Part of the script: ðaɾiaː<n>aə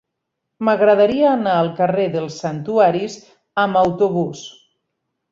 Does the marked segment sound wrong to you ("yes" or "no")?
no